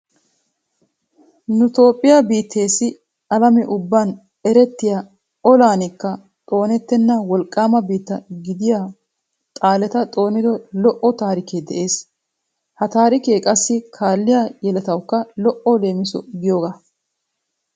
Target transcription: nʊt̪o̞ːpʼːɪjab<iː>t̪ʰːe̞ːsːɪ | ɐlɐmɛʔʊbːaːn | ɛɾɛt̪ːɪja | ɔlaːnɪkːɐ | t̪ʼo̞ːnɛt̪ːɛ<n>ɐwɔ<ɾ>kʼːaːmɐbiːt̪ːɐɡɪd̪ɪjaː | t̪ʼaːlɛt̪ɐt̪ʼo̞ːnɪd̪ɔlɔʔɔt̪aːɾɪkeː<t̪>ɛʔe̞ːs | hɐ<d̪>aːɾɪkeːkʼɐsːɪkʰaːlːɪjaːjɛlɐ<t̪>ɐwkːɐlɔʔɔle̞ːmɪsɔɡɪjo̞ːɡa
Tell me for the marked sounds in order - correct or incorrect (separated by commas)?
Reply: correct, incorrect, incorrect, incorrect, incorrect, correct